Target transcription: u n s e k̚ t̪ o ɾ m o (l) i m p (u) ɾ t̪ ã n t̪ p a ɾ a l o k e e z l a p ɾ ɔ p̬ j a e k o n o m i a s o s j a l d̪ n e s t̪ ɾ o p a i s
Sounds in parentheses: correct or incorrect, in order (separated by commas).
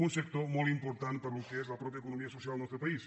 correct, incorrect